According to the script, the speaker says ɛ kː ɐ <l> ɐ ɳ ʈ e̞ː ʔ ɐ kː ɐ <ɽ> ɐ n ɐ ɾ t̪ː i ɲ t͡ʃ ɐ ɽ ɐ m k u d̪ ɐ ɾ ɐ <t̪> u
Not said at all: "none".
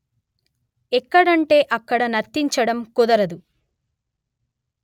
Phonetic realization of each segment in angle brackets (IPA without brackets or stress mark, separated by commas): ɽ, ɽ, d̪